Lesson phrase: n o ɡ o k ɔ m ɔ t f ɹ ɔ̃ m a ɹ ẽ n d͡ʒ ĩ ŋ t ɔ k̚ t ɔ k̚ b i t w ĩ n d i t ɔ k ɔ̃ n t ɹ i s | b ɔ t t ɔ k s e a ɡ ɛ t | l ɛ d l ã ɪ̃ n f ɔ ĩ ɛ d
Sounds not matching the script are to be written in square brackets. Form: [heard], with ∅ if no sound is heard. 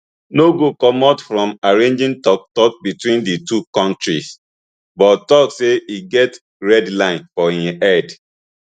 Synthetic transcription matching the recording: n o ɡ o k ɔ m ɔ t f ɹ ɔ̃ m a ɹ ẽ n d͡ʒ ĩ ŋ t ɔ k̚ t ɔ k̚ b i t w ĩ n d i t [u] k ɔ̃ n t ɹ i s | b ɔ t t ɔ k s e [i] ɡ ɛ t | [ɹ] ɛ d l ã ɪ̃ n f ɔ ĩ ɛ d